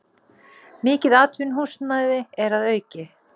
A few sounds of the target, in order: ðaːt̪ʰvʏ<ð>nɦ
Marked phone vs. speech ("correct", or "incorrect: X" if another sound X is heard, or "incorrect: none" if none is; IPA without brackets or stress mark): incorrect: none